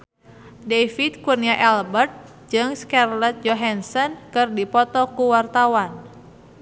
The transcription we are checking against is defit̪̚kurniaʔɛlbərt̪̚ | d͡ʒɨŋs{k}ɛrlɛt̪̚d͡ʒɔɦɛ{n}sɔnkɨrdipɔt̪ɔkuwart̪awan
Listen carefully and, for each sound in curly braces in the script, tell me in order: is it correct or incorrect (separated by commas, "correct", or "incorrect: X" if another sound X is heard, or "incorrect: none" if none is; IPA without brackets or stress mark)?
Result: correct, correct